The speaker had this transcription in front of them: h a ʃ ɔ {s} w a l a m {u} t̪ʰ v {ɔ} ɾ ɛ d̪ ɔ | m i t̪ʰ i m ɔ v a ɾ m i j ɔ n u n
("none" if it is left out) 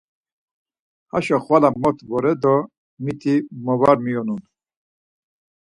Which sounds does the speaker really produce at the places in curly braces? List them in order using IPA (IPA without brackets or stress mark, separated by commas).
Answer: χ, ɔ, ɔ